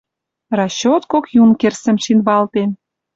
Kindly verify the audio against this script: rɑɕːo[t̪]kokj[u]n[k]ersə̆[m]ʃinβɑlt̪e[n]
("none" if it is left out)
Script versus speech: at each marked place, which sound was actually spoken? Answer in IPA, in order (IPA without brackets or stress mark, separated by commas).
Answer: t̪, u, k, m, n